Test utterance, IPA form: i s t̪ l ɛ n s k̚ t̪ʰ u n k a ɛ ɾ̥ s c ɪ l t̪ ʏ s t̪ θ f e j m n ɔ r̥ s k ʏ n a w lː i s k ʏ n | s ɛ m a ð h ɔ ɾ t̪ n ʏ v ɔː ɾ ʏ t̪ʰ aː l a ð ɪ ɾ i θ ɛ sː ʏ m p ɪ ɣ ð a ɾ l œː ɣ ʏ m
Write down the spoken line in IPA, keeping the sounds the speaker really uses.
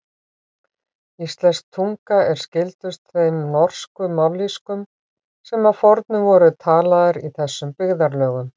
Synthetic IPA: i s t̪ l ɛ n s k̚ t̪ʰ u ŋ k a ɛ ɾ̥ s c ɪ l t̪ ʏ s t̪ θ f e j m n ɔ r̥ s k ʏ m a w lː i s k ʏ m | s ɛ m a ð f ɔ ɾ t̪ n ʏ v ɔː ɾ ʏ t̪ʰ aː l a ð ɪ ɾ i θ ɛ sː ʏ m p ɪ ɣ ð a ɾ l œː ɣ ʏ m